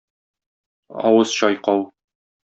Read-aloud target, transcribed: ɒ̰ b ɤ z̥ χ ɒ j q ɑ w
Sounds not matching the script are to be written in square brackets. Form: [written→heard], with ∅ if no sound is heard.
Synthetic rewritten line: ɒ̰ [b→w] ɤ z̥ [χ→ɕ] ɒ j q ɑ w